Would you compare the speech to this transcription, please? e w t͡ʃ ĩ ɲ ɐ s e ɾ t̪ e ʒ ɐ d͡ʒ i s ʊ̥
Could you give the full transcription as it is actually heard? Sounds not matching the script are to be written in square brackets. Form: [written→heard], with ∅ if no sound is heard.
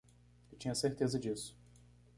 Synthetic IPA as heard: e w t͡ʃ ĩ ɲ ɐ s e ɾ t̪ e [ʒ→z] ɐ d͡ʒ i s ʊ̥